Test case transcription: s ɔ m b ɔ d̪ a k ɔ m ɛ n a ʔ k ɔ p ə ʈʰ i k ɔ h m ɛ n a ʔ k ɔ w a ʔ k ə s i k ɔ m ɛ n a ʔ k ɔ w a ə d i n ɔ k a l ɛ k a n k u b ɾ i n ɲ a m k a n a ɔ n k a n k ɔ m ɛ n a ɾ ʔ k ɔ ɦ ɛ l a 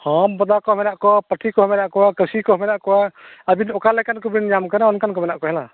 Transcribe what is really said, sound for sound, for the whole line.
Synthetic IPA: h ɔ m b ɔ d̪ a k ɔ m ɛ n a ʔ k ɔ p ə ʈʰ i k ɔ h m ɛ n a ʔ k ɔ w a k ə s i k ɔ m ɛ n a ʔ k ɔ w a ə b i n ɔ k a l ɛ k a n k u b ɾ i n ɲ a m k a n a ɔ n k a n k ɔ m ɛ n a ʔ k ɔ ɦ ɛ l a